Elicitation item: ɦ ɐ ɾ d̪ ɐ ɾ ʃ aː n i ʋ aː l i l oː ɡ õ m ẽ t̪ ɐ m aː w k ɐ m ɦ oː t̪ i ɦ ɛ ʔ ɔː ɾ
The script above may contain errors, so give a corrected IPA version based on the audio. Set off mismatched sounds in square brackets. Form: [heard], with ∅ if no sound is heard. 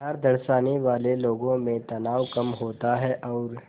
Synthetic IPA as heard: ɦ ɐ ɾ d̪ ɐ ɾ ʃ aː n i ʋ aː l [e] l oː ɡ õ m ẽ t̪ ɐ [n] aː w k ɐ m ɦ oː t̪ [a] ɦ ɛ ʔ ɔː ɾ